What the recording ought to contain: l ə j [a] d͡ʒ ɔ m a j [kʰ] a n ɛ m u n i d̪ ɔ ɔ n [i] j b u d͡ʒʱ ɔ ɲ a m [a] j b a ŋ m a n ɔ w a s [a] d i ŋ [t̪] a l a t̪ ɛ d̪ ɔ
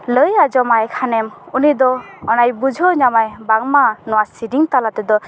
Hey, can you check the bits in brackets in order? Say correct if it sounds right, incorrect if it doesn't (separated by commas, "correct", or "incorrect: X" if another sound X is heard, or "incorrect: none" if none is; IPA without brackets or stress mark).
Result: correct, correct, incorrect: a, correct, incorrect: i, correct